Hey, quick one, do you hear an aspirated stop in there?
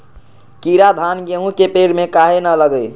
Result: no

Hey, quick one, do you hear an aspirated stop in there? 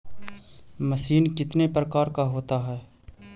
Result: no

